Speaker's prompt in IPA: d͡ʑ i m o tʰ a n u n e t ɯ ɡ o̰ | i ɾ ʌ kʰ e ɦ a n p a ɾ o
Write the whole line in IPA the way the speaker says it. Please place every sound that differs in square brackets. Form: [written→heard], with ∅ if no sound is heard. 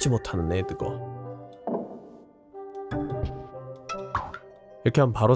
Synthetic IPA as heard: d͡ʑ i m o tʰ a n [u→ɯ] n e t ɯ ɡ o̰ | i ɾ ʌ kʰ e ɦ a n p a ɾ o

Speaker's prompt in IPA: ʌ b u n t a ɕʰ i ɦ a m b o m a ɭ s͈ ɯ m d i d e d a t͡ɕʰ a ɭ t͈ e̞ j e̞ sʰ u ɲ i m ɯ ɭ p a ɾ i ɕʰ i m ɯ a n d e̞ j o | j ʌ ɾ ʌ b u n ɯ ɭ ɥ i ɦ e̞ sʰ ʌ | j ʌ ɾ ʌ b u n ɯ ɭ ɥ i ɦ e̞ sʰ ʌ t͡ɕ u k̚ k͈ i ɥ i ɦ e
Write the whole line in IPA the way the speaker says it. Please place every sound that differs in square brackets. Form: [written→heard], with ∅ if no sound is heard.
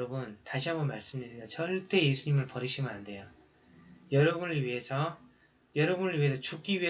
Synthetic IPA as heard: ʌ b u n t a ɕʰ i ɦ a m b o m a ɭ s͈ ɯ m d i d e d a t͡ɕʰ [a→ʌ] ɭ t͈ e̞ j e̞ sʰ u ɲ i m ɯ ɭ p [a→ʌ] ɾ i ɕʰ i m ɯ a n d e̞ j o | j ʌ ɾ ʌ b u n ɯ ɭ ɥ i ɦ e̞ sʰ ʌ | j ʌ ɾ ʌ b u n ɯ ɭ ɥ i ɦ e̞ sʰ ʌ t͡ɕ u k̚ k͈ i ɥ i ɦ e

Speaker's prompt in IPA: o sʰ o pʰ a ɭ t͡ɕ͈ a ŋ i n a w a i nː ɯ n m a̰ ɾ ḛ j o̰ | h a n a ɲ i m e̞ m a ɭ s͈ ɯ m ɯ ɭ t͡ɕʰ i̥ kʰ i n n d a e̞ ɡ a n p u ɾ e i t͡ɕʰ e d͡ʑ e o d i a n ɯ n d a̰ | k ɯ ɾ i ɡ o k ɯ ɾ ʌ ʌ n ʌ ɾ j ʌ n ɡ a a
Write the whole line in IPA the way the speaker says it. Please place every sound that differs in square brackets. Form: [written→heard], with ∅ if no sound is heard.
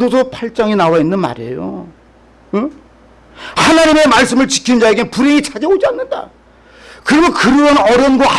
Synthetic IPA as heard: o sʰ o pʰ a ɭ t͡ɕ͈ a ŋ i n a w a i nː ɯ n m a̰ ɾ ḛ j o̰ | h a n a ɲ i m e̞ m a ɭ s͈ ɯ m ɯ ɭ [t͡ɕʰ→t͡ɕ] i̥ kʰ i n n [d→d͡ʑ] a e̞ ɡ [a→e] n p u ɾ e i t͡ɕʰ [e→a] d͡ʑ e o [d→d͡ʑ] i a [n→nː] ɯ n d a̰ | k ɯ ɾ i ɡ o k ɯ ɾ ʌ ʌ n ʌ ɾ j ʌ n ɡ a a

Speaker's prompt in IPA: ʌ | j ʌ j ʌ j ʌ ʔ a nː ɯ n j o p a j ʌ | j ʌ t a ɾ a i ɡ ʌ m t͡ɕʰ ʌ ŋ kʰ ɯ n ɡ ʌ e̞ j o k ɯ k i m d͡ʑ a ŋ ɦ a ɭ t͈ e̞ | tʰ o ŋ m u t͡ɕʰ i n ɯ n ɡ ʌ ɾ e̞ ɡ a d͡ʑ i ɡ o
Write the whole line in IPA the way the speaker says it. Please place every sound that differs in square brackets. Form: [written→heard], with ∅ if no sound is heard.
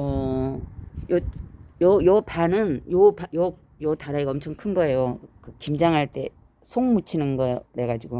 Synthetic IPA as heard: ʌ | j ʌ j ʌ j ʌ [ʔ→p] a [nː→n] ɯ n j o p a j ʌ | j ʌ t a ɾ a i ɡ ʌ m t͡ɕʰ ʌ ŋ kʰ ɯ n ɡ ʌ e̞ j o k ɯ k i m d͡ʑ a ŋ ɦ a ɭ t͈ e̞ | [tʰ→sʰ] o ŋ m u t͡ɕʰ i n ɯ n ɡ ʌ ɾ e̞ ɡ a d͡ʑ i ɡ o

